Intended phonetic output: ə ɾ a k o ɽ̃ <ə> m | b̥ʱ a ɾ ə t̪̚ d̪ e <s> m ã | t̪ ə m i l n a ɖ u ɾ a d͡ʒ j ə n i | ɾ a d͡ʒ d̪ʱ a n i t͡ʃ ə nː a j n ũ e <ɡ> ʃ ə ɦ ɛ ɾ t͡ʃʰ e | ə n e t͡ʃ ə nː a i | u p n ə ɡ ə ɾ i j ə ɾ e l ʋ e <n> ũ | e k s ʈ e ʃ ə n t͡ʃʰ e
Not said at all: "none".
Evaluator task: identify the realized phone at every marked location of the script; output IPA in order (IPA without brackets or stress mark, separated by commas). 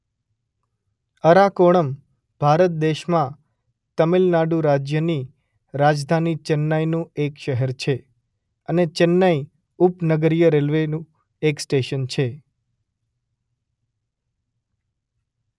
ə, ʃ, k, n